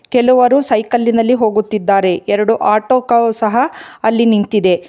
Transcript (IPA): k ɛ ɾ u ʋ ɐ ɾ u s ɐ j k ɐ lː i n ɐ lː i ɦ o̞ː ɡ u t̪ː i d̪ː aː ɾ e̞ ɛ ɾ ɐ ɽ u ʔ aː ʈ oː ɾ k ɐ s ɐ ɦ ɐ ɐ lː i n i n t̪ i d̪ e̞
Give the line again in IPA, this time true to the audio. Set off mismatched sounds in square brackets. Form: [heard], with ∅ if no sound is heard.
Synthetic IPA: k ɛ [l] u ʋ ɐ ɾ u s ɐ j k ɐ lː i n ɐ lː i ɦ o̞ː ɡ u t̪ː i d̪ː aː ɾ e̞ ɛ ɾ ɐ ɽ u ʔ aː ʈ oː [∅] k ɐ s ɐ ɦ ɐ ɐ lː i n i n t̪ i d̪ e̞